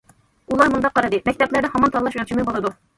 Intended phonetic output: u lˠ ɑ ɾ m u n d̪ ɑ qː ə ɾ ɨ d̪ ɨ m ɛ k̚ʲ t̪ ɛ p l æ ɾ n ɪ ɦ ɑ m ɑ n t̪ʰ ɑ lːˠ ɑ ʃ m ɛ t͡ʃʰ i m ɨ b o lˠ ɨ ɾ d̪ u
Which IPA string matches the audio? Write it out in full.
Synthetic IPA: u lˠ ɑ ɾ m u n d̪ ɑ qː ɑ ɾ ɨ d̪ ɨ m ɛ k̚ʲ t̪ ɛ p l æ ɾ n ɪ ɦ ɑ m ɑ n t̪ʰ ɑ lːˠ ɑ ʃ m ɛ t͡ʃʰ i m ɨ b o lˠ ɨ d̪ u